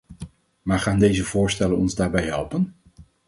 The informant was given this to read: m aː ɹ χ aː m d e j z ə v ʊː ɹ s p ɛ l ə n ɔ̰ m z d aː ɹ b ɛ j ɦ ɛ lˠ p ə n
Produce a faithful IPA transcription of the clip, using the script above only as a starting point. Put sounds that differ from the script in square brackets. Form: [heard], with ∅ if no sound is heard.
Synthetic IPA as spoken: m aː ɹ χ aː [n] d e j z ə v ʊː ɹ s [t] ɛ l ə n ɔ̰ [n] z d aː ɹ b ɛ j ɦ ɛ lˠ p ə n